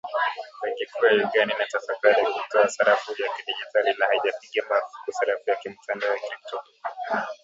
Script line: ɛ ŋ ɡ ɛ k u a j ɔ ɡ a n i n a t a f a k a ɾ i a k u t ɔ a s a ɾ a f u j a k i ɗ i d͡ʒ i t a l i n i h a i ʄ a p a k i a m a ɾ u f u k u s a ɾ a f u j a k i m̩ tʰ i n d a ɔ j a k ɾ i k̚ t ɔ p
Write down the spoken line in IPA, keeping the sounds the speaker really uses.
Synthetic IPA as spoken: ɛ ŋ ɡ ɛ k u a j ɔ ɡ a n i n a t a f a k a ɾ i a k u t ɔ a s a ɾ a f u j a k i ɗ i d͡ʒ i t a l i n a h a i ʄ a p i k i a m a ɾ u f u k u s a ɾ a f u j a k i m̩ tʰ a n d a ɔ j a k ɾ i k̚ t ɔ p